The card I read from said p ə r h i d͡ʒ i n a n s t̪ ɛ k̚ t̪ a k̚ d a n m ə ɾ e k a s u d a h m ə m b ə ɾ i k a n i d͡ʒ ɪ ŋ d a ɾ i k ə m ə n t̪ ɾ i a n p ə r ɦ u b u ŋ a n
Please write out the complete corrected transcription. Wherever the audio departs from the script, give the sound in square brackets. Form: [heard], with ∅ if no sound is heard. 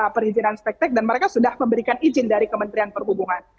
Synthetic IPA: p ə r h i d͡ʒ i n a n s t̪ ɛ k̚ t̪ [ɛ] k̚ d a n m ə ɾ e k a s u d a h m ə m b ə ɾ i k a n i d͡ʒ ɪ [n] d a ɾ i k ə m ə n t̪ ɾ i a n p ə r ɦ u b u ŋ a n